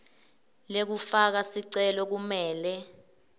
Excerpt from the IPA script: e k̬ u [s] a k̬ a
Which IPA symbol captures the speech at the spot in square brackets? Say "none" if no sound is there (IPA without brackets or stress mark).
f